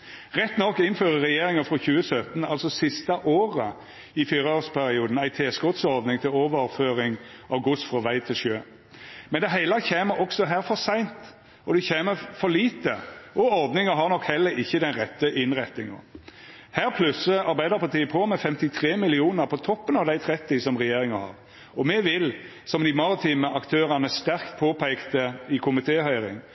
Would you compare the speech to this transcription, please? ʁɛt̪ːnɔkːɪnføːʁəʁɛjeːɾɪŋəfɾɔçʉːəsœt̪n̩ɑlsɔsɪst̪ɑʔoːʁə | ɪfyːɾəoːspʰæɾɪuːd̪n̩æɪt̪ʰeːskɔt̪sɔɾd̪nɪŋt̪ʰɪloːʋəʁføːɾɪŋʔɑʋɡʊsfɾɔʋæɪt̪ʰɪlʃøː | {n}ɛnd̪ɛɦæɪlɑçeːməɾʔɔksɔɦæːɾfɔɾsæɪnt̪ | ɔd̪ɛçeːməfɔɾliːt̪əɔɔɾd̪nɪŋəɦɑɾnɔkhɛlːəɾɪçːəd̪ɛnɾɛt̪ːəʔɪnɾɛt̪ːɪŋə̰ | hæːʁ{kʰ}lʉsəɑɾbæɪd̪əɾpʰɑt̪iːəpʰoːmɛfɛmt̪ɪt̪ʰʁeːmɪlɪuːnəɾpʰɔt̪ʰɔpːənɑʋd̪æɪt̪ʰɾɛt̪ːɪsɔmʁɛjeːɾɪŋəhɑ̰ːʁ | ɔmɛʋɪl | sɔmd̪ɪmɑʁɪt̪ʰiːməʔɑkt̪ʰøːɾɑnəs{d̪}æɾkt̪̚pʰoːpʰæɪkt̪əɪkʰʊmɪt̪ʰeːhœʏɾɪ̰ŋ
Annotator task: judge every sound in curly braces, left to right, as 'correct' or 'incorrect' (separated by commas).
incorrect, incorrect, incorrect